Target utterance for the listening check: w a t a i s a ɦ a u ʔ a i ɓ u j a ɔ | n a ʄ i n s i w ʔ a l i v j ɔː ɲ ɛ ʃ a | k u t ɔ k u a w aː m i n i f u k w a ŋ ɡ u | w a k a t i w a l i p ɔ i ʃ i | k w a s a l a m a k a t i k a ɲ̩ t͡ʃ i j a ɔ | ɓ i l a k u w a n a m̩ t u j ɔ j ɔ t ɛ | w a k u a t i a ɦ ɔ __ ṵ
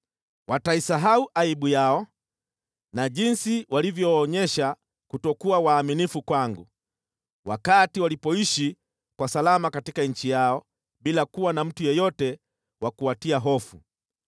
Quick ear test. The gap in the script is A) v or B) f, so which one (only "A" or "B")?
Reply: B